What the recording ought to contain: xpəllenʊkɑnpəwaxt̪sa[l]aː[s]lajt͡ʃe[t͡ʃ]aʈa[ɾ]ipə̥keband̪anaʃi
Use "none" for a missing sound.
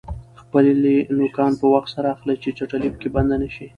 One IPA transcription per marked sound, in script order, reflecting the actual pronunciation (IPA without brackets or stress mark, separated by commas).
ɾ, x, t͡ʃ, l